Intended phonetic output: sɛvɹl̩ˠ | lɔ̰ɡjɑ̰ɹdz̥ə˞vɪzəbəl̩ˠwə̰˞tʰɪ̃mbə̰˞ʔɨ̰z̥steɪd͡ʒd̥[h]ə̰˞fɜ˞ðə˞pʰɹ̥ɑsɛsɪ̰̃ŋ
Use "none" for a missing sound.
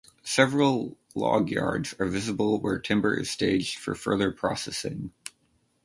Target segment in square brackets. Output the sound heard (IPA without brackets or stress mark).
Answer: f